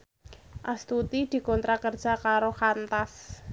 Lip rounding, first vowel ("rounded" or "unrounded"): unrounded